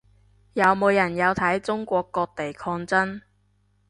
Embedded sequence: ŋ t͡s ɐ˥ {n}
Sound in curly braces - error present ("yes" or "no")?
no